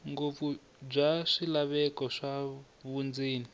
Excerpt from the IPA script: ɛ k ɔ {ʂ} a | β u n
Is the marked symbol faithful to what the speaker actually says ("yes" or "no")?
yes